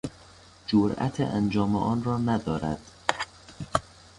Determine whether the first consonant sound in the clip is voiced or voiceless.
voiced